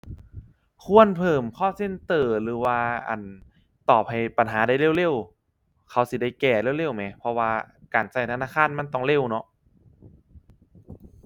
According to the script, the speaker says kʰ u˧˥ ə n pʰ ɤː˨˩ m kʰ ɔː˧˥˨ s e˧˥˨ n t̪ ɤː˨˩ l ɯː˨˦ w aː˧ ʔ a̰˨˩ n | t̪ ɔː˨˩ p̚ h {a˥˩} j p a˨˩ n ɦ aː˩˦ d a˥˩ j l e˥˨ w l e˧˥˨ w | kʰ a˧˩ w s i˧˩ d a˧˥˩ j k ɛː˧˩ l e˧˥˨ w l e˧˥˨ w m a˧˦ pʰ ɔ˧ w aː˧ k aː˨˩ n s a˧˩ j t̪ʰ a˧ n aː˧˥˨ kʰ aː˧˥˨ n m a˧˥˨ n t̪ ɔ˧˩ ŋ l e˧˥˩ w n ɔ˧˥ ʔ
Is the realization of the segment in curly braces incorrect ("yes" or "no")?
yes